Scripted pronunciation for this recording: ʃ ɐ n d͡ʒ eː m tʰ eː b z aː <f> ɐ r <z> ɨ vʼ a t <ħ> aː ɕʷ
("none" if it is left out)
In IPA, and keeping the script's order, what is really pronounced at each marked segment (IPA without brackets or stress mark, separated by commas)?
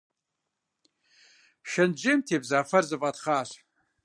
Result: f, z, χ